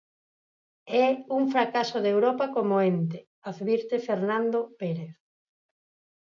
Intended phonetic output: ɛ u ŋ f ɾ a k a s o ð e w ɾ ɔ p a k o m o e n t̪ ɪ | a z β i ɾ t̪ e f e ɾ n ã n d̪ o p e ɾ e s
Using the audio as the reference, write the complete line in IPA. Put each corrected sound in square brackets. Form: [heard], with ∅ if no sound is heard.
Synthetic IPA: ɛ u ŋ f ɾ a k a s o ð e w ɾ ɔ p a k o m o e n t̪ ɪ | a [ð] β i ɾ t̪ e f e ɾ n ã n d̪ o p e ɾ e [θ]

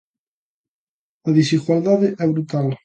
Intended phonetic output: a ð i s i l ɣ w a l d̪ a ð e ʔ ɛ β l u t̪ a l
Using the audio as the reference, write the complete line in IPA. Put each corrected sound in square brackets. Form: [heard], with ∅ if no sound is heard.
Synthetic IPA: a ð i s i [∅] ɣ w a l d̪ a ð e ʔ ɛ β [ɾ] u t̪ a l

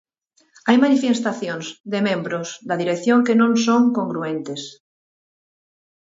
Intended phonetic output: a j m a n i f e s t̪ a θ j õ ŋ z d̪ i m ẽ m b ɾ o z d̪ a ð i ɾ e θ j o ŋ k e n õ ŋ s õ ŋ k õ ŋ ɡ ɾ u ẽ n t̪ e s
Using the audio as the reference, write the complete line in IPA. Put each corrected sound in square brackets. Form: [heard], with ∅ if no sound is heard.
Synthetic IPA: a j m a n i f e s t̪ a θ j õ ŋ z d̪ [e] m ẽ m b ɾ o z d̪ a ð i ɾ e θ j o ŋ k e n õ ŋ s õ ŋ k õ ŋ ɡ ɾ u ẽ n t̪ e s

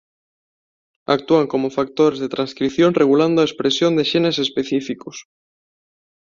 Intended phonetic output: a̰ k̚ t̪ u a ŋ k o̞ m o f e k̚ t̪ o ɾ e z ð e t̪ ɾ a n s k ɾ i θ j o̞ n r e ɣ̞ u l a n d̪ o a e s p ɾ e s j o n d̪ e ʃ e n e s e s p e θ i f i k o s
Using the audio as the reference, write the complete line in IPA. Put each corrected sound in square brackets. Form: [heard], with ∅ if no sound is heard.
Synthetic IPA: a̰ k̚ t̪ u a ŋ k o̞ m o f [a] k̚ t̪ o ɾ e z ð e t̪ ɾ a n s k ɾ i θ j o̞ n r e ɣ̞ u l a n d̪ o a e s p ɾ e s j o n d̪ e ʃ e n e s e s p e θ i f i k o s

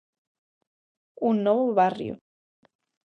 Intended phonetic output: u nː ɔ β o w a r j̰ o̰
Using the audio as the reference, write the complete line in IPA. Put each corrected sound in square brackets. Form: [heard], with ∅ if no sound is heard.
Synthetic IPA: u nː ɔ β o [β] a r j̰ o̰

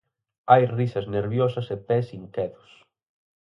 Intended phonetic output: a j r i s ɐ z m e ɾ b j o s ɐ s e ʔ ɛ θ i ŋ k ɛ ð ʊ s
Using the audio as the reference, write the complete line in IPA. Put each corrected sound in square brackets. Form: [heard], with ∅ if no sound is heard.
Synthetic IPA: a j r i s ɐ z [n] e ɾ [β] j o s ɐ s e [p] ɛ [s] i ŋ k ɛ ð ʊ s

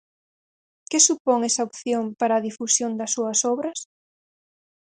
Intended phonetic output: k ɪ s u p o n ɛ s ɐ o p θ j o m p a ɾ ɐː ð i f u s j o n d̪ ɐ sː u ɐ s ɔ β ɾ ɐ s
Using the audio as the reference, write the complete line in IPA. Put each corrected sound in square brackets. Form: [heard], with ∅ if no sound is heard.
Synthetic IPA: k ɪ s u p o [ŋ] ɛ s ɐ o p θ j o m p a ɾ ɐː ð i f u s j o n d̪ ɐ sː u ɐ s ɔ β ɾ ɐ s

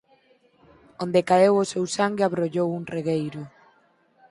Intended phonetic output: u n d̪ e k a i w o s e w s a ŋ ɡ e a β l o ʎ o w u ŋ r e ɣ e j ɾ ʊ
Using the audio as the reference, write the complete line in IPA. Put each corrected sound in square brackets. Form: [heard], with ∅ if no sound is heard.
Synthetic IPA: [o] n d̪ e k a [e] w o s e w s a ŋ ɡ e a β [ɾ] o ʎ o w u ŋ r e ɣ e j ɾ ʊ

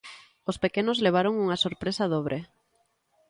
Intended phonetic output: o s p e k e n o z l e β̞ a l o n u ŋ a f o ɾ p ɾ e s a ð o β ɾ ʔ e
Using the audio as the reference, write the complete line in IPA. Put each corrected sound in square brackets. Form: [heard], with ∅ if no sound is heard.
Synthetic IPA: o s p e k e n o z l e β̞ a [ɾ] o [ŋ] u ŋ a [s] o ɾ p ɾ e s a ð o β ɾ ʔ e

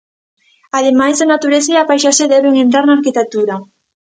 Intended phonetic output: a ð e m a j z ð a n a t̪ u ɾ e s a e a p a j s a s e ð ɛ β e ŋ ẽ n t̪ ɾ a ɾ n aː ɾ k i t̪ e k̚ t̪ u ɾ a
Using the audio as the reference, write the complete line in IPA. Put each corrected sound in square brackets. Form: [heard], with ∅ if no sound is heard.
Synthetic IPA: a ð e m a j z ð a n a t̪ u ɾ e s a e a p a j [ʃ] a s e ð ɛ β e ŋ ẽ n t̪ ɾ a ɾ n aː ɾ k i t̪ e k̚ t̪ u ɾ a

